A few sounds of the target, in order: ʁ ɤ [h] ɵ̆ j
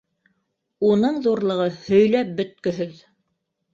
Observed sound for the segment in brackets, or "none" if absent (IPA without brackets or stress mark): h